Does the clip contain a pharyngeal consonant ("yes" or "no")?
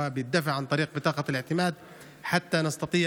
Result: yes